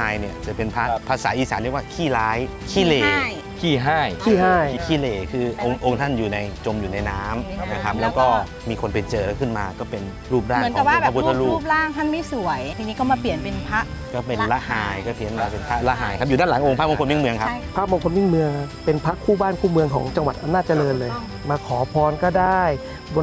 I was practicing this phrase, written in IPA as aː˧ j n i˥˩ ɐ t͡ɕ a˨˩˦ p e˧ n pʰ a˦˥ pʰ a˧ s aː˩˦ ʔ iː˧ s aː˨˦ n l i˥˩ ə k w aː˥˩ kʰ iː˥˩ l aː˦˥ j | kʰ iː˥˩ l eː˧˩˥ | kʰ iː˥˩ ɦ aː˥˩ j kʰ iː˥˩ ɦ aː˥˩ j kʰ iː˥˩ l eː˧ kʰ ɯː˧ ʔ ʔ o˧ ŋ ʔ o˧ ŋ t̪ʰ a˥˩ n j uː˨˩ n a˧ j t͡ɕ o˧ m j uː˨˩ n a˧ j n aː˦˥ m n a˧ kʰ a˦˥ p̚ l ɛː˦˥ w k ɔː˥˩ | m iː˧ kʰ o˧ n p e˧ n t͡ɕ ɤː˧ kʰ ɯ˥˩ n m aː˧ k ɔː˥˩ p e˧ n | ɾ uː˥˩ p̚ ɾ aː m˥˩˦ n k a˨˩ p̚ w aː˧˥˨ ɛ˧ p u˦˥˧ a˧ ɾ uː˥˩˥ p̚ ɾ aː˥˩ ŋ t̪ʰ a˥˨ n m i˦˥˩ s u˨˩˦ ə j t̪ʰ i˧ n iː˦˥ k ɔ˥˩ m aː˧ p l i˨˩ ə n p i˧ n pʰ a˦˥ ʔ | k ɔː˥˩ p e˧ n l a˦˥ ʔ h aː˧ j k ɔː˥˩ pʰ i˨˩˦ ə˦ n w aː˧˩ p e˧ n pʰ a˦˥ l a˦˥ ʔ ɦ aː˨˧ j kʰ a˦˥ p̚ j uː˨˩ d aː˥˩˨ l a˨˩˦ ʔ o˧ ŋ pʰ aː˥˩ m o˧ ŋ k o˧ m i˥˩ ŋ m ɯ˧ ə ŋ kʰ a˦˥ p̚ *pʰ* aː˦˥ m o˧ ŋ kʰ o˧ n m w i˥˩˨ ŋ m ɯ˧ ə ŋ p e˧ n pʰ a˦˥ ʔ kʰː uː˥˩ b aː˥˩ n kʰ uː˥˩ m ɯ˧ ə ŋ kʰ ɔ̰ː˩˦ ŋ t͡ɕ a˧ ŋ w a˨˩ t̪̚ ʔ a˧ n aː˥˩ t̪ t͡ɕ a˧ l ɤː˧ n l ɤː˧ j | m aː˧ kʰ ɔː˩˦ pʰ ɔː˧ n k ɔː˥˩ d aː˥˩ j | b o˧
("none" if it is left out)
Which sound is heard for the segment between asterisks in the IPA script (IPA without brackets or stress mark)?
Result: pʰ